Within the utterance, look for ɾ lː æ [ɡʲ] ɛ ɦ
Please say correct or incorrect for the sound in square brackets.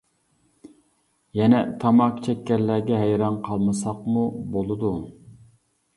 correct